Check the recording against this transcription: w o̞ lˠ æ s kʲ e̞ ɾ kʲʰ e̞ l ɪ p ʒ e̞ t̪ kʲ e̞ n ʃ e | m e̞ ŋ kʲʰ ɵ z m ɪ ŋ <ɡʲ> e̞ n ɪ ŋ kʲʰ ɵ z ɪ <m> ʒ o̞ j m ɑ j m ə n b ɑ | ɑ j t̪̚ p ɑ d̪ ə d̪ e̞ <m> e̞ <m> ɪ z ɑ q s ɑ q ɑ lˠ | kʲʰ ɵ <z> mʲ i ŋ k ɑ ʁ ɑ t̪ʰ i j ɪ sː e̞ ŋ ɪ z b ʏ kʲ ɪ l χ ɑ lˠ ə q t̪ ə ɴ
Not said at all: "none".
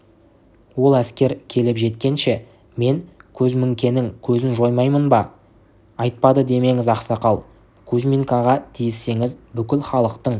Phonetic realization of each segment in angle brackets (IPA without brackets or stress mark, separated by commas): kʲ, n, m, ŋ, z